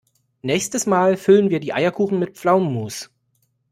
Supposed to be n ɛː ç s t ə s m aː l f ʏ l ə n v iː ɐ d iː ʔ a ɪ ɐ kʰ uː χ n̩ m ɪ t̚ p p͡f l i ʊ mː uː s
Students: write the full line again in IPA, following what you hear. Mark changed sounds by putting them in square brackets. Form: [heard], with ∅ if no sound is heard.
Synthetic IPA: n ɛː ç s t ə s m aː l f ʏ l ə n v iː ɐ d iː ʔ a ɪ ɐ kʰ uː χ n̩ m ɪ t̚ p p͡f l [a] ʊ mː uː s